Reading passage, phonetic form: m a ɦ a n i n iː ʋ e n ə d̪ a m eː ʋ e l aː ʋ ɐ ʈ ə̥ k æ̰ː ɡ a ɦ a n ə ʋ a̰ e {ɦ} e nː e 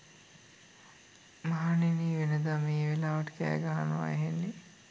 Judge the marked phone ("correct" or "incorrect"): correct